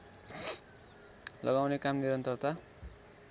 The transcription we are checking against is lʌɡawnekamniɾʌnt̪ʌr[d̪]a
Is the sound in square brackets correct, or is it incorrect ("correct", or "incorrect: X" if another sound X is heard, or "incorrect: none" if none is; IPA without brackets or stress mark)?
incorrect: t̪